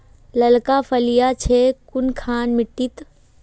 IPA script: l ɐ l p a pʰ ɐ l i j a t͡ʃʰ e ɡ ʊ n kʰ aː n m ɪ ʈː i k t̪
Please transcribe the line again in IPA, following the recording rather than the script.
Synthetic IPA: l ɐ l k a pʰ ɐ l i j a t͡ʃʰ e k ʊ n kʰ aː n m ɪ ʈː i t̪

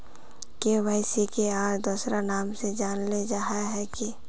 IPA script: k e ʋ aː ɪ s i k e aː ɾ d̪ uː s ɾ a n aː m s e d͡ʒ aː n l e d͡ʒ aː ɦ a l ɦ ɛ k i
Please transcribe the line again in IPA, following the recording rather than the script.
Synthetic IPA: k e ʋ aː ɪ s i k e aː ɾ d̪ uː s ɾ a n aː m s e d͡ʒ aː n l e d͡ʒ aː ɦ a ɦ ɛ k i

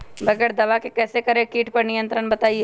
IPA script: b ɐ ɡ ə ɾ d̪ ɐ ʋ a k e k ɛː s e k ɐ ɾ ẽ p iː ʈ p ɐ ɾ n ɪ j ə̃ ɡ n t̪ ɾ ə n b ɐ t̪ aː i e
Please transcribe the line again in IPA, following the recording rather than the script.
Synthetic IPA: b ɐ ɡ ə ɾ d̪ ɐ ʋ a k e k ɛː s e k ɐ ɾ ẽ k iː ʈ p ɐ ɾ n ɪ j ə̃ n t̪ ɾ ə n b ɐ t̪ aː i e

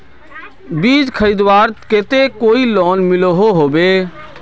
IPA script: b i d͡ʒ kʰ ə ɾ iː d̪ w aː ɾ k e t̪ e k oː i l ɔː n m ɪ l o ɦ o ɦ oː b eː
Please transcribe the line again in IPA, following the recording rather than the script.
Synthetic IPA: b iː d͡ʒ kʰ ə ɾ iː d̪ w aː ɾ k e t̪ e k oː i l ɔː n m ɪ l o ɦ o ɦ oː b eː

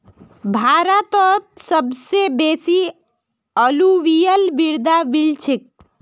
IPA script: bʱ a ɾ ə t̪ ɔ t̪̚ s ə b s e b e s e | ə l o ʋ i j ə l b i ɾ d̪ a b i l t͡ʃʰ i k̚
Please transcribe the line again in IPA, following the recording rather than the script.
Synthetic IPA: bʱ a ɾ ə t̪ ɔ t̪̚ s ə b s e b e s i | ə l u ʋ i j ə l b i ɾ d̪ a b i l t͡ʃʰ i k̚

